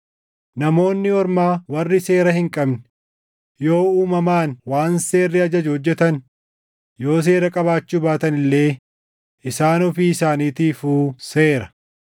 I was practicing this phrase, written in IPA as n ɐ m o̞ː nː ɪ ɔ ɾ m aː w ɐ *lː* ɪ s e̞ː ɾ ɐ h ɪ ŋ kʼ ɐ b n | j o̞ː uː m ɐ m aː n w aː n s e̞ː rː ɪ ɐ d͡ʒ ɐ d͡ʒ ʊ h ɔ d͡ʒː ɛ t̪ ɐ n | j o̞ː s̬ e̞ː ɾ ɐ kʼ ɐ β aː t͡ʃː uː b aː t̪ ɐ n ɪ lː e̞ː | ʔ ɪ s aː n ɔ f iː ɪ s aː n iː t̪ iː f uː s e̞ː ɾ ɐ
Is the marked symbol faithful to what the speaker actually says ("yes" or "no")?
no